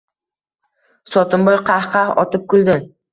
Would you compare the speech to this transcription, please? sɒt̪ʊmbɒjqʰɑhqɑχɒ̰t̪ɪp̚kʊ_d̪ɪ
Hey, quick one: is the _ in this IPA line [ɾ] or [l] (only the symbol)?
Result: l